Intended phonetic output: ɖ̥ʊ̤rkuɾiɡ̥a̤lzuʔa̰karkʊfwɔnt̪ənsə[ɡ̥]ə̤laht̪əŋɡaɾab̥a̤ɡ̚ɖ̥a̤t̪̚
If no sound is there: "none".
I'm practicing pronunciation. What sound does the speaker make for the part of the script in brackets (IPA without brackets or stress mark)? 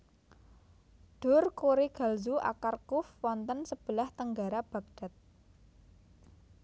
b̥